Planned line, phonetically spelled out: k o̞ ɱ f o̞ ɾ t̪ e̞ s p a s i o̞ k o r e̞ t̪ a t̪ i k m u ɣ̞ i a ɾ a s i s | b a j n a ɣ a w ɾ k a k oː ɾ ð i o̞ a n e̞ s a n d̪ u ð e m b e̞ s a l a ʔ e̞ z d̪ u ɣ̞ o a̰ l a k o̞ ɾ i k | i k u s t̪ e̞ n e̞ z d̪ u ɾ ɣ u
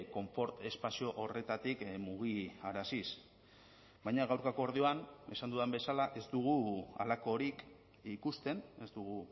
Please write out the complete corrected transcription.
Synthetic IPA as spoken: k o̞ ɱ f o̞ ɾ t̪ e̞ s p a s i o̞ ʔ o r e̞ t̪ a t̪ i k m u ɣ̞ i a ɾ a s i s | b a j ɲ a ɣ a w ɾ k a k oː ɾ ð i o̞ a n e̞ s a n d̪ u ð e m b e̞ s a l a ʔ e̞ z d̪ u ɣ̞ u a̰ l a k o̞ ɾ i k | i k u s t̪ e̞ n e̞ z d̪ u ɣ u

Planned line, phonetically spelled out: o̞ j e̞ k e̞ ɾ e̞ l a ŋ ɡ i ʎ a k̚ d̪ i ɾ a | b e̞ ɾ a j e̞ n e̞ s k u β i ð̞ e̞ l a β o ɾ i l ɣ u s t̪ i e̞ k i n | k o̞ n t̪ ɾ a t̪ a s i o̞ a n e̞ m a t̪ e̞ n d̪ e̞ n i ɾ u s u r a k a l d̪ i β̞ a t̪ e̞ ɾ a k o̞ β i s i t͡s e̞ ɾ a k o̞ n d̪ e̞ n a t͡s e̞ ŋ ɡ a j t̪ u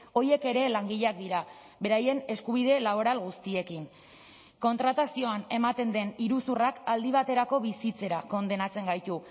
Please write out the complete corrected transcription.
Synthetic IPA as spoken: o̞ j e̞ k e̞ ɾ e̞ l a ŋ ɡ i ʎ a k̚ d̪ i ɾ a | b e̞ ɾ a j e̞ n e̞ s k u β i ð̞ e̞ l a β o ɾ a l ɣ u s t̪ i e̞ k i n | k o̞ n t̪ ɾ a t̪ a s i o̞ a n e̞ m a t̪ e̞ n d̪ e̞ n i ɾ u s u r a k a l d̪ i β̞ a t̪ e̞ ɾ a k o̞ β i s i t͡s e̞ ɾ a k o̞ n d̪ e̞ n a t͡s e̞ ŋ ɡ a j t̪ u

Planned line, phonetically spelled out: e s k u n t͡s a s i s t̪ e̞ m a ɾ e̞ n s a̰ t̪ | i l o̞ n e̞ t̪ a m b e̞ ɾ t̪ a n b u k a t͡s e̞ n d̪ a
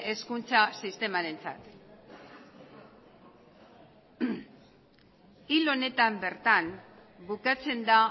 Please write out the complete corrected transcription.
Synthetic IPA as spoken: e s k u n t͡s a s i s t̪ e̞ m a ɾ e̞ n t͡s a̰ t̪ | i l o̞ n e̞ t̪ a m b e̞ ɾ t̪ a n b u k a t͡s e̞ n d̪ a

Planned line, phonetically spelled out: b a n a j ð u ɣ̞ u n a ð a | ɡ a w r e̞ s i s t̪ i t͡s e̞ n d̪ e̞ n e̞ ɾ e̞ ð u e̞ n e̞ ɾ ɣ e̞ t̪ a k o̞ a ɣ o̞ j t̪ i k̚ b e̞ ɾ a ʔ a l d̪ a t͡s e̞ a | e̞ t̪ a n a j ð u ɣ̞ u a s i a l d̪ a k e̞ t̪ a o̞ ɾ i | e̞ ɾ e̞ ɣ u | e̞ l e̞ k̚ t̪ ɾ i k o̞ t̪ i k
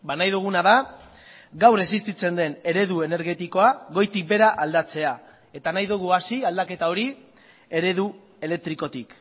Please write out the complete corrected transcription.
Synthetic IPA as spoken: b a n a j ð u ɣ̞ u n a ð a | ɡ a w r e̞ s i s t̪ i t͡s e̞ n d̪ e̞ n e̞ ɾ e̞ ð u e̞ n e̞ ɾ ɣ e̞ t̪ i k o̞ a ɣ o̞ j t̪ i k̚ b e̞ ɾ a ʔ a l d̪ a t͡s e̞ a | e̞ t̪ a n a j ð u ɣ̞ u a s i a l d̪ a k e̞ t̪ a o̞ ɾ i | e̞ ɾ e̞ ð u | e̞ l e̞ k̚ t̪ ɾ i k o̞ t̪ i k

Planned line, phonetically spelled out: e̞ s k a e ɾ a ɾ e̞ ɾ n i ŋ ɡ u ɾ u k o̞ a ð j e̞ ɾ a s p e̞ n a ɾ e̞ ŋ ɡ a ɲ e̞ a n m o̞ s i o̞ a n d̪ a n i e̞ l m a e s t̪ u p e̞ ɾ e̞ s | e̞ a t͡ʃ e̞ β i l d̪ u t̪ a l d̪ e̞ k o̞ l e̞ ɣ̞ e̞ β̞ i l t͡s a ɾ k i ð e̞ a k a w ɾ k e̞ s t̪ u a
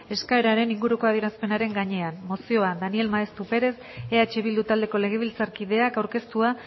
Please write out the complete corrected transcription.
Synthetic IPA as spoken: e̞ s k a e ɾ a ɾ e̞ n i ŋ ɡ u ɾ u k o̞ a ð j e̞ ɾ a s p e̞ n a ɾ e̞ ŋ ɡ a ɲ e̞ a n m o̞ s i o̞ a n d̪ a n i e̞ l m a e s t̪ u p e̞ ɾ e̞ s | e̞ a t͡ʃ e̞ β i l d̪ u t̪ a l d̪ e̞ k o̞ l e̞ ɣ̞ e̞ β̞ i l t͡s a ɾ k i ð e̞ a k a w ɾ k e̞ s t̪ u a

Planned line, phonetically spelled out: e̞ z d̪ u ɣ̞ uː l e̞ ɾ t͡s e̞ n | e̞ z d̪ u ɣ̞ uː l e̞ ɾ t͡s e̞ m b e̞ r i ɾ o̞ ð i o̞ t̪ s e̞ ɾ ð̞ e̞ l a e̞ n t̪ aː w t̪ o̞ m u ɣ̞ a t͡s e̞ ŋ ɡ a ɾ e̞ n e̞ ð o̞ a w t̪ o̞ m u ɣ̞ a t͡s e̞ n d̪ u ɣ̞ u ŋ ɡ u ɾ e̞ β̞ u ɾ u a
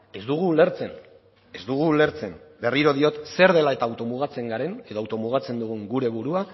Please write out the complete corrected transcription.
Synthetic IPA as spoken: e̞ z d̪ u ɣ̞ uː l e̞ ɾ t͡s e̞ n | e̞ z d̪ u ɣ̞ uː l e̞ ɾ t͡s e̞ m b e̞ r i ɾ o̞ ð i o̞ t̪ s e̞ ɾ ð̞ e̞ l a e̞ t̪ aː w t̪ o̞ m u ɣ̞ a t͡s e̞ ŋ ɡ a ɾ e̞ n e̞ ð o̞ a w t̪ o̞ m u ɣ̞ a t͡s e̞ n d̪ u ɣ̞ u ŋ ɡ u ɾ e̞ β̞ u ɾ u a

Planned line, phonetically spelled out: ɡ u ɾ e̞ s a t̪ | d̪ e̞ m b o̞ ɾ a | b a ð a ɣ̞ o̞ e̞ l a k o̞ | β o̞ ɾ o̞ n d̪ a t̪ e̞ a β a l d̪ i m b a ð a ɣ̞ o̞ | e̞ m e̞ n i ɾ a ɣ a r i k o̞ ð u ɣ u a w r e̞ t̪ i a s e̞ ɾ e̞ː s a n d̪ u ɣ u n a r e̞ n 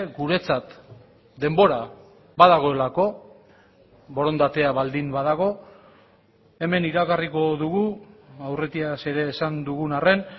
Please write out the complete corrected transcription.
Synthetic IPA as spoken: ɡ u ɾ e̞ t͡s a t̪ | d̪ e̞ m b o̞ ɾ a | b a ð a ɣ̞ o̞ e̞ l a k o̞ | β o̞ ɾ o̞ n d̪ a t̪ e̞ a β a l d̪ i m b a ð a ɣ̞ o̞ | e̞ m e̞ n i ɾ a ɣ a r i k o̞ ð u ɣ u a w r e̞ t̪ i a s e̞ ɾ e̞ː s a n d̪ u ɣ u n a r e̞ n

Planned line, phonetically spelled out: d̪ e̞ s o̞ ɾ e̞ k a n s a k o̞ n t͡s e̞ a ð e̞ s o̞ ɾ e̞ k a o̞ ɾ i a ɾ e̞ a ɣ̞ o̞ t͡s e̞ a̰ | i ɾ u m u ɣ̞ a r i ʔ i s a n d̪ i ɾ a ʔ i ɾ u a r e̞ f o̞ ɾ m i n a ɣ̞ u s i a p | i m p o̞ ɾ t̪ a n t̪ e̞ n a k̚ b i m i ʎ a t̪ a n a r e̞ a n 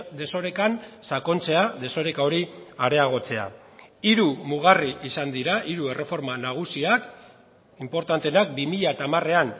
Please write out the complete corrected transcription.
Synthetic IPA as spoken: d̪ e̞ s o̞ ɾ e̞ k a n s a k o̞ n t͡s e̞ a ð e̞ s o̞ ɾ e̞ k a o̞ ɾ i a ɾ e̞ a ɣ̞ o̞ t͡s e̞ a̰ | i ɾ u m u ɣ̞ a r i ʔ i s a n d̪ i ɾ a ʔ i ɾ u e r e̞ f o̞ ɾ m a n a ɣ̞ u s i a k | i m p o̞ ɾ t̪ a n t̪ e̞ n a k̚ b i m i ʎ a t̪ a m a r e̞ a n

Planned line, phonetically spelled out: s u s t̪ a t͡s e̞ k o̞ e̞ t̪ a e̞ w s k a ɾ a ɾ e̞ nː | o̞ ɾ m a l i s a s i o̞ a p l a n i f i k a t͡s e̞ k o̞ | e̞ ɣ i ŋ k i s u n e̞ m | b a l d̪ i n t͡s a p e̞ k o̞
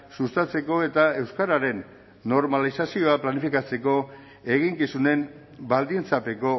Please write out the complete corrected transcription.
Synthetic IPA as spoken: s u s t̪ a t͡s e̞ k o̞ e̞ t̪ a e̞ w s k a ɾ a ɾ e̞ nː | o̞ ɾ m a l i s a s i o̞ a p l a n i f i k a t͡s e̞ k o̞ | e̞ ɣ i ŋ k i s u n e̞ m | b a l d̪ i n t͡s a p e̞ k o̞

